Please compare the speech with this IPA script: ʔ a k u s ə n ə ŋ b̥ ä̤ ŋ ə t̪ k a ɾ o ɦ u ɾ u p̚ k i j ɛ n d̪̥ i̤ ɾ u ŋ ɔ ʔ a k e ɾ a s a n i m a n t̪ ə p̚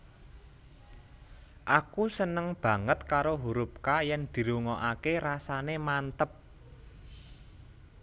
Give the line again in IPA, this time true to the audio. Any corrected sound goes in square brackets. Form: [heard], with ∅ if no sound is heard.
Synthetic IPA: ʔ a k u s ə n ə ŋ b̥ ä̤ ŋ ə t̪ k a ɾ o ɦ u ɾ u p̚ k [a] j ɛ n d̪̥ i̤ ɾ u ŋ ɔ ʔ a k e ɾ a s a n [e] m a n t̪ ə p̚